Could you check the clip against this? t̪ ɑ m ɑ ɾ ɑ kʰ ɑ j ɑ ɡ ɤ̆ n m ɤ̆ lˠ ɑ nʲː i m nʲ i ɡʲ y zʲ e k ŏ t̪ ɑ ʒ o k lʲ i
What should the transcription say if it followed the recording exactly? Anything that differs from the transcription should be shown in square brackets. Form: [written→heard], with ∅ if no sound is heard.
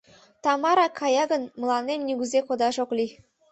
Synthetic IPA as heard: t̪ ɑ m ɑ ɾ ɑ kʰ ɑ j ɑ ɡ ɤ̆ n m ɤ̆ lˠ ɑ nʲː [i→e] m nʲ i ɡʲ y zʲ e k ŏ [t̪→d̪] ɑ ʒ o k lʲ i